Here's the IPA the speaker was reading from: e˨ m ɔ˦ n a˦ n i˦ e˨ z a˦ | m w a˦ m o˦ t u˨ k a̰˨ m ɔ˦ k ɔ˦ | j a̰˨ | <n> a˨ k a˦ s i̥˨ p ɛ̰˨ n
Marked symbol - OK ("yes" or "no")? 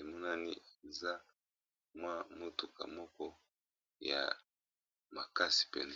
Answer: no